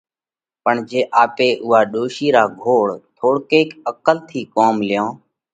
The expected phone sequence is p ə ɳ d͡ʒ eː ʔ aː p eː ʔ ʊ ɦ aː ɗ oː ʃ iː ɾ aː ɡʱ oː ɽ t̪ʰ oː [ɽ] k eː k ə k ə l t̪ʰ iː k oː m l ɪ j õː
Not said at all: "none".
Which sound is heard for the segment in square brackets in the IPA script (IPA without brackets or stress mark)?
ɽ